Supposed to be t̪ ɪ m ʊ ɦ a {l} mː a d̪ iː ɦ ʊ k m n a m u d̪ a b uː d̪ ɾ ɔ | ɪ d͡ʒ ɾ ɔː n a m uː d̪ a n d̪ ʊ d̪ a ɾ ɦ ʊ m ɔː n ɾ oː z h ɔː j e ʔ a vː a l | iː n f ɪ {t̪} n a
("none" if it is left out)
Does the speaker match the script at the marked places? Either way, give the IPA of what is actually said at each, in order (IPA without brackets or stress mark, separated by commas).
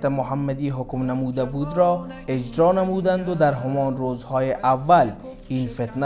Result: none, t̪